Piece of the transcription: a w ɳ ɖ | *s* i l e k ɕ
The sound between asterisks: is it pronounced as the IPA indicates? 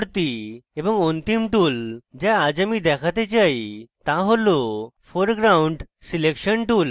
yes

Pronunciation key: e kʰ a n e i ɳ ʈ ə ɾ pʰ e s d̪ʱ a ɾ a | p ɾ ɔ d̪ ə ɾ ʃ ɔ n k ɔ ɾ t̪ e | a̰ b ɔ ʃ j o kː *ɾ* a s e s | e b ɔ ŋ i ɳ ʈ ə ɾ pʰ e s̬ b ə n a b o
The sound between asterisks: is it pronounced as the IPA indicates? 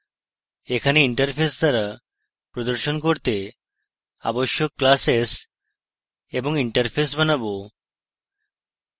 no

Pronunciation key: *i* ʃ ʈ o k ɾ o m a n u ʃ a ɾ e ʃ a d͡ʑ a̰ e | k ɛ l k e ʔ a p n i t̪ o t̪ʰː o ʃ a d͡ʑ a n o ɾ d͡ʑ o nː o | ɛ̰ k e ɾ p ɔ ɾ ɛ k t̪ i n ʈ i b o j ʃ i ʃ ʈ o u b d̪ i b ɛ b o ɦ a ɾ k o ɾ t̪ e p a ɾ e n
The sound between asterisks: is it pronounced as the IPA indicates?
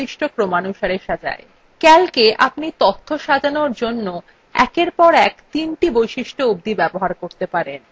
yes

